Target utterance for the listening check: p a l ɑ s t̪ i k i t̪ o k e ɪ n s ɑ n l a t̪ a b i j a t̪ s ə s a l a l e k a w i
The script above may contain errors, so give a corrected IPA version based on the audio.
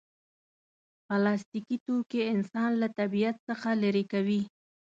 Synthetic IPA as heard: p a l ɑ s t̪ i k i t̪ o k e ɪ n s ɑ n l a t̪ a b i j a t̪ s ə x a l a ɾ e k a w i